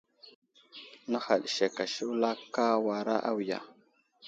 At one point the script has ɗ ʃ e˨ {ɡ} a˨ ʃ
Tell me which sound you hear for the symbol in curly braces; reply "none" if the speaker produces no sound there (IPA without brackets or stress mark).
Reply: k